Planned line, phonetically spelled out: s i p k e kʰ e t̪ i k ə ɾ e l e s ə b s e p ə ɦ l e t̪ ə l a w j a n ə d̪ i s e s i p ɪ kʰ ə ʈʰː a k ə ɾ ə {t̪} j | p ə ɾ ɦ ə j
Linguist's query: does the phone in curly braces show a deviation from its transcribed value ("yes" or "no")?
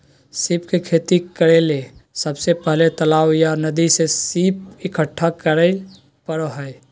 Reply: yes